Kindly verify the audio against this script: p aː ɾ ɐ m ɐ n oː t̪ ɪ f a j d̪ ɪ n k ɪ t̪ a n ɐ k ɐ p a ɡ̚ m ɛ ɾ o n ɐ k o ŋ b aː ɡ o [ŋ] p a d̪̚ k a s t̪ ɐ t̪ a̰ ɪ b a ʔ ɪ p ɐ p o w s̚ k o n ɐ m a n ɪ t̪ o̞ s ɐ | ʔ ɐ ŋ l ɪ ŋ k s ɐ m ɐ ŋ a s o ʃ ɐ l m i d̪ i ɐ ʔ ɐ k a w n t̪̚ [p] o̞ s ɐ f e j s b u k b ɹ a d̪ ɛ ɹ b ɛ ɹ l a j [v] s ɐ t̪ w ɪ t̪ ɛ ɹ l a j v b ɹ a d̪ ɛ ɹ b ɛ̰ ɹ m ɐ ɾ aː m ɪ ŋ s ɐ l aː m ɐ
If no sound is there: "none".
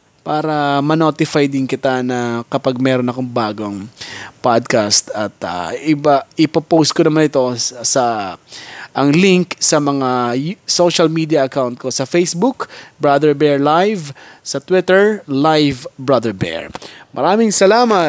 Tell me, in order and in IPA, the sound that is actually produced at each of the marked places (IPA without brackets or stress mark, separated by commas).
ŋ, k, v